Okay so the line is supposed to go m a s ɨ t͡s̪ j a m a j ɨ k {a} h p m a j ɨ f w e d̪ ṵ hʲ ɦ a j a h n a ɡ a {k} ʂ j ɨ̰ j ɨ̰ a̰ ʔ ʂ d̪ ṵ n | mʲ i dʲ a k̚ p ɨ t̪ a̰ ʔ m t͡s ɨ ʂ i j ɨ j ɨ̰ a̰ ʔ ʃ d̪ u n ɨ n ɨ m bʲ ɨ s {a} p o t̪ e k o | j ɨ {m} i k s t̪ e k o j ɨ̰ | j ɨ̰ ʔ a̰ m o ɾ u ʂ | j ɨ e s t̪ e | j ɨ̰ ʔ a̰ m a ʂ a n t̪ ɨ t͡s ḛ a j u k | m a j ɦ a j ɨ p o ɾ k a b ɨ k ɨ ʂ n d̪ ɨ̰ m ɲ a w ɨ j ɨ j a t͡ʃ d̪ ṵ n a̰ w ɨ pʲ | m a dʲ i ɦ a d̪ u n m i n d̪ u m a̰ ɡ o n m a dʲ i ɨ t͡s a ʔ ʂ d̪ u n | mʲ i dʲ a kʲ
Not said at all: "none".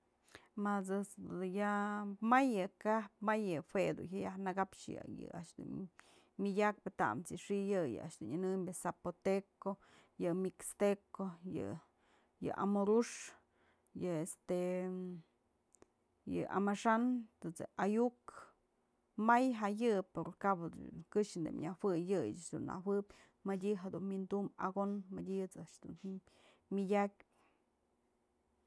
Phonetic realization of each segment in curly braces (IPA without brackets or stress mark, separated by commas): a, p, a, m